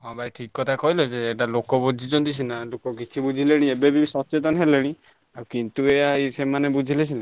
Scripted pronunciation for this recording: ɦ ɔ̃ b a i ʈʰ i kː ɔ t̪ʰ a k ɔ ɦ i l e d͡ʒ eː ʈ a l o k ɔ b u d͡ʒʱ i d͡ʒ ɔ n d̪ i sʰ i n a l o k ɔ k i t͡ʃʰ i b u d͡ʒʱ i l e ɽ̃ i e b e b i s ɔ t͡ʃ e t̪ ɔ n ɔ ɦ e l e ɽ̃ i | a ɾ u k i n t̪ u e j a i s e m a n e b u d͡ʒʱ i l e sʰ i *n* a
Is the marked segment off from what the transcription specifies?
no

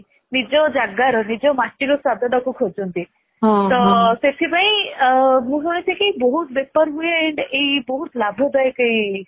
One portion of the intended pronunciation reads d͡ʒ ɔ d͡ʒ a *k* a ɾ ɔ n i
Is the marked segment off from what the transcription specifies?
yes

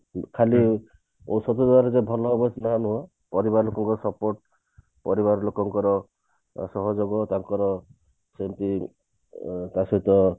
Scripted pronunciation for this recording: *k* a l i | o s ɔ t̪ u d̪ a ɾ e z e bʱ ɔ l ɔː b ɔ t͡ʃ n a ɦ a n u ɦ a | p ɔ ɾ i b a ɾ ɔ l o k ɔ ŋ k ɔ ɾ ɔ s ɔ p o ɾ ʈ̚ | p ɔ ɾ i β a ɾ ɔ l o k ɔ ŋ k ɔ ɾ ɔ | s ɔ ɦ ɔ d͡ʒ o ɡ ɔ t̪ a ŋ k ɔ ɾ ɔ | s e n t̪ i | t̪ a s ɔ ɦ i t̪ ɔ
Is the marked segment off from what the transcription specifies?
yes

